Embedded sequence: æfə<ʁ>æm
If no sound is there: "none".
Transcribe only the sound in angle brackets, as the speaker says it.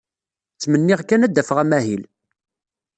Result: ʁ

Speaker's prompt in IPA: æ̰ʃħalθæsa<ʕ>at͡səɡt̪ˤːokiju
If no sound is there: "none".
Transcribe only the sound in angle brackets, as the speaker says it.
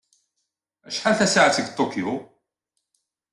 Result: ʕ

